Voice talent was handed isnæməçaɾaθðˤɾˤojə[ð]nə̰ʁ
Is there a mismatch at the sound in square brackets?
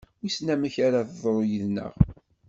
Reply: no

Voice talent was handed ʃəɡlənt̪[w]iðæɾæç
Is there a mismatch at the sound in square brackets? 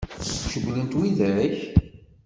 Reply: no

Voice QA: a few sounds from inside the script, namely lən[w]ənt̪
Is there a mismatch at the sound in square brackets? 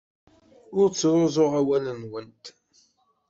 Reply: no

